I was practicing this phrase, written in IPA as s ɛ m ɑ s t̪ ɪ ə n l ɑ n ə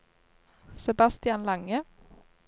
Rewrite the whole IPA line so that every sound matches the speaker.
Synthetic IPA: s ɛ b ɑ s t̪ ɪ ɑ n l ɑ ŋ ə